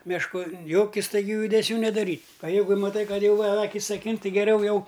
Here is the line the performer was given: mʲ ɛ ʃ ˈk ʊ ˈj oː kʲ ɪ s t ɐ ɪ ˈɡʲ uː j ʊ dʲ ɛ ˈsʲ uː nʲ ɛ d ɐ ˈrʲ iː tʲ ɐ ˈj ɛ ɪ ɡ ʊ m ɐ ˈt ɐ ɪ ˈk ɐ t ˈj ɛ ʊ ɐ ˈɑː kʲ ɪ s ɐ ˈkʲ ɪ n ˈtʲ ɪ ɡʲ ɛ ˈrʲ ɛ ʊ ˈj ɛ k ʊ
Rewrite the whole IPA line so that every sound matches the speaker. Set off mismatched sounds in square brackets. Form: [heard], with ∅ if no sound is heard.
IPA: mʲ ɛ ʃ ˈk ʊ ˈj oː kʲ ɪ s t ɐ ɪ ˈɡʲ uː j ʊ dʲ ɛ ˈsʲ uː nʲ ɛ d ɐ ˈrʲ iː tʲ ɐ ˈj ɛ ɪ ɡ ʊ m ɐ ˈt ɐ ɪ ˈk ɐ t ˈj ɛ ʊ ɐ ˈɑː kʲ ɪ s ɐ ˈkʲ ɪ n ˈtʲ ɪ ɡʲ ɛ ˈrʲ ɛ ʊ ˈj ɛ [∅] ʊ